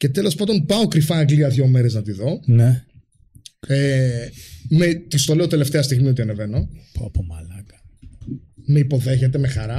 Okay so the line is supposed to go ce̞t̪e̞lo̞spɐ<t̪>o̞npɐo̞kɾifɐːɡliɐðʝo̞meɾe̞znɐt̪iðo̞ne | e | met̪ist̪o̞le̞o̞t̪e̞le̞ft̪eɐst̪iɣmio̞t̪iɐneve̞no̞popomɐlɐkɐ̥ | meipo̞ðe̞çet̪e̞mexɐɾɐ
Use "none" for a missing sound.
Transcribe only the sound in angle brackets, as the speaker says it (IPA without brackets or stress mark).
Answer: d̪